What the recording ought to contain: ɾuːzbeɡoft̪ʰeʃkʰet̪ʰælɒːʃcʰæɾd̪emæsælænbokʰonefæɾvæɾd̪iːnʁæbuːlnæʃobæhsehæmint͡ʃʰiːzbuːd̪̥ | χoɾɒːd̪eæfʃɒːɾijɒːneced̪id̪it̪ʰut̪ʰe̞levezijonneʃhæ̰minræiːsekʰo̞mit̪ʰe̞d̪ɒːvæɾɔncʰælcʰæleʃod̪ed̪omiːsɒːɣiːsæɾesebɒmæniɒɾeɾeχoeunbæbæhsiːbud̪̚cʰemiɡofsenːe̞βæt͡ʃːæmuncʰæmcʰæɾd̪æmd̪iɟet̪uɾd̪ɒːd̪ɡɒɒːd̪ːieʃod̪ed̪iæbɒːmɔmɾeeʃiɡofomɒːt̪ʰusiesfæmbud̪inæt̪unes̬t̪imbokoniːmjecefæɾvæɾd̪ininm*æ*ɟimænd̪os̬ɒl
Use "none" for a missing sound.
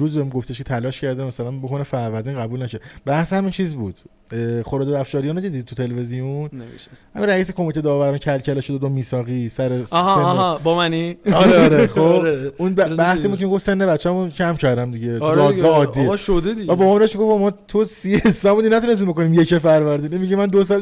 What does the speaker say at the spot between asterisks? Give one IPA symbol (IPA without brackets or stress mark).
i